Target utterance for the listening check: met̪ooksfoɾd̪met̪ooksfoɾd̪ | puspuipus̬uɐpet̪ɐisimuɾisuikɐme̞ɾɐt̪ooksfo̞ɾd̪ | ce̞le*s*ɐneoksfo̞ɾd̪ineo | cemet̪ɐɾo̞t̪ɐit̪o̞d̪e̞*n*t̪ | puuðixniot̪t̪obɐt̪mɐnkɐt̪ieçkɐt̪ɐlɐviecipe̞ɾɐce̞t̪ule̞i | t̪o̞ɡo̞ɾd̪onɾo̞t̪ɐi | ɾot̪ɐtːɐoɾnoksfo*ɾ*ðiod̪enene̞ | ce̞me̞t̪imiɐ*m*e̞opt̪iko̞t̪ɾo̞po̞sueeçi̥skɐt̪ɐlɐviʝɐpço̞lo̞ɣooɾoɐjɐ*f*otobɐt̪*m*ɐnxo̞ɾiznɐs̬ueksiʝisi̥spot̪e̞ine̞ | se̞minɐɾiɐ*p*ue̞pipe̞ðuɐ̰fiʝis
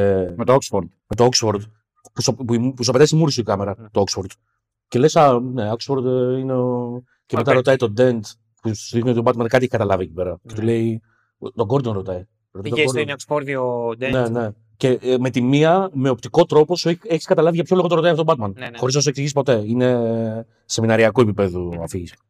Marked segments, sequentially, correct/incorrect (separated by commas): correct, correct, correct, correct, correct, correct, incorrect